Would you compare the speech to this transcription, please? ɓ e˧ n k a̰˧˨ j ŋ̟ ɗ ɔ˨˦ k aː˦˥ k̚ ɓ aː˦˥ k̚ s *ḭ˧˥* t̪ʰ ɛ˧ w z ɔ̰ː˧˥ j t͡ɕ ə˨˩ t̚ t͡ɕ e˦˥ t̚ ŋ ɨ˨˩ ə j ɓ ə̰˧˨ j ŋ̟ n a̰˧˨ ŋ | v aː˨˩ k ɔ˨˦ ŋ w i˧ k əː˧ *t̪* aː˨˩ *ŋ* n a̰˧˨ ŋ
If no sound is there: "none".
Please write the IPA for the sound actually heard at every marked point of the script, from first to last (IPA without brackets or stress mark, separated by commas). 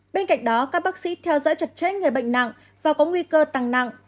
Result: ḭ˧˥, t̪, ŋ